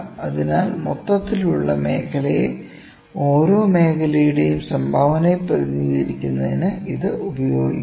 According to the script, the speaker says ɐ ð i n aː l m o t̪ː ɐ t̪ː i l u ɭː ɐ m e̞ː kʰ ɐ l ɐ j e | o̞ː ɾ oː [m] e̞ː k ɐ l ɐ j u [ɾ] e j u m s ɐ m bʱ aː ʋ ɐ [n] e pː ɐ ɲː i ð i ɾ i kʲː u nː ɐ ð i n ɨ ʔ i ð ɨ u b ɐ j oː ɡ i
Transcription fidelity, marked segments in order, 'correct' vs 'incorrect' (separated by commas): correct, incorrect, correct